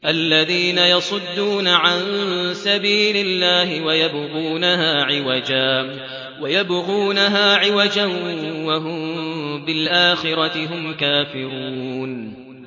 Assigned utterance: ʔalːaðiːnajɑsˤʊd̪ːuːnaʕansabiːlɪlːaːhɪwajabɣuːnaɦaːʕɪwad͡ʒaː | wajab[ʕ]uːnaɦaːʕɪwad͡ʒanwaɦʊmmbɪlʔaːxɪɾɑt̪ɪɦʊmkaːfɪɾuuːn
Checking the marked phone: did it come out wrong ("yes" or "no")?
yes